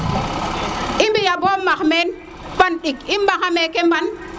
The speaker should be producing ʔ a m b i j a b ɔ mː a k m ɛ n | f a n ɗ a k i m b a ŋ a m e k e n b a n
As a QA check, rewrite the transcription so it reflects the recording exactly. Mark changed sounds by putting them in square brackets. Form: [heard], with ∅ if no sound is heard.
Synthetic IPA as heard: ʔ [i] m b i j a b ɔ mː a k m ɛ n | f a n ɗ [i] k i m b a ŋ a m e k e [m] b a n